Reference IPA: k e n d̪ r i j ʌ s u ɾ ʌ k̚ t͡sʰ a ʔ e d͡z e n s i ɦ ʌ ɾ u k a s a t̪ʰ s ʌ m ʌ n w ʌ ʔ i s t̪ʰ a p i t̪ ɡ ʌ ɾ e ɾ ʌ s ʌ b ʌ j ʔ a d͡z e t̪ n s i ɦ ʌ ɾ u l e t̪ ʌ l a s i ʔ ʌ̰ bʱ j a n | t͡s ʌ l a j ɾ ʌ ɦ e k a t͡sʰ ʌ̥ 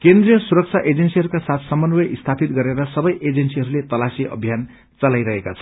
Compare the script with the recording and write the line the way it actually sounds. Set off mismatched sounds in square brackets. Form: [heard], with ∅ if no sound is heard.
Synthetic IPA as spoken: k e n d̪ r i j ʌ s u ɾ ʌ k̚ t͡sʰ a ʔ e d͡z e n s i ɦ ʌ ɾ u k a s a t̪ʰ s ʌ m ʌ n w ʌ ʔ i s t̪ʰ a p i t̪ ɡ ʌ ɾ e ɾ ʌ s ʌ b ʌ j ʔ [e] d͡z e [∅] n s i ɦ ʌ ɾ u l e t̪ ʌ l a s i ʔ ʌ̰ bʱ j a n | t͡s ʌ l a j ɾ ʌ ɦ e k a t͡sʰ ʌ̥